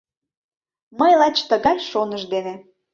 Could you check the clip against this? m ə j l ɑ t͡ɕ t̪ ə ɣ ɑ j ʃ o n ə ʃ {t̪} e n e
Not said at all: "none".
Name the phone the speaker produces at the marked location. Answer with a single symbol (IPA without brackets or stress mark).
d̪